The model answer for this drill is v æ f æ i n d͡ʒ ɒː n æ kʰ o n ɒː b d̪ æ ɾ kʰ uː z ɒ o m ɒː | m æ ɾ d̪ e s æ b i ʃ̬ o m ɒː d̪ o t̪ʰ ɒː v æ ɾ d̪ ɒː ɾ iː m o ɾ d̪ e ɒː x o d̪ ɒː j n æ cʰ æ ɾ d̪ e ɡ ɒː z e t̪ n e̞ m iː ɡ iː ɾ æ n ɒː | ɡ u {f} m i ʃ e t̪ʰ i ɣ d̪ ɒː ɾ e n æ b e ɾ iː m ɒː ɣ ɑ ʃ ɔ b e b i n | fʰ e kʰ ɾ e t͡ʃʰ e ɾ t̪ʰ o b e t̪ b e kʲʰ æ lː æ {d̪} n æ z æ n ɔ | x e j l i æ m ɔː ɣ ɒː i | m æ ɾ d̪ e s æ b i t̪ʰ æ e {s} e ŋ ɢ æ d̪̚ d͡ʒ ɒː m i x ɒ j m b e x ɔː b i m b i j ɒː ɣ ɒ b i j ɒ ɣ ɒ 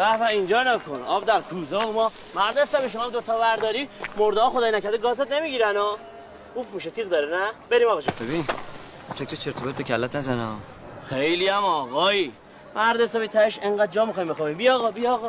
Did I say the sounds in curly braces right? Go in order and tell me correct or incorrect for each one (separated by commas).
correct, incorrect, incorrect